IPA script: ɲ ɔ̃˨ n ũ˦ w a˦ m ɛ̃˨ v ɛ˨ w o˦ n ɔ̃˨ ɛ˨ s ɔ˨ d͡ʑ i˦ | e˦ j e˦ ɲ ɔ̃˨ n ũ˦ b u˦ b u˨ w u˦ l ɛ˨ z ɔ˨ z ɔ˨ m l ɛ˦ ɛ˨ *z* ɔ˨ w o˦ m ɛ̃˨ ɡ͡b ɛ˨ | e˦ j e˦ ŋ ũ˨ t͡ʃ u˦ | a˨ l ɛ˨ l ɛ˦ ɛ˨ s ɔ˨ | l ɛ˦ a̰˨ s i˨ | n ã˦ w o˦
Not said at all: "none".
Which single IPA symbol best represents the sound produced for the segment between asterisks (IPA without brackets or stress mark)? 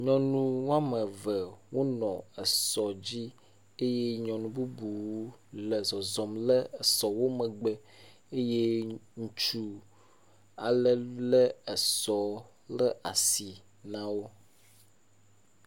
s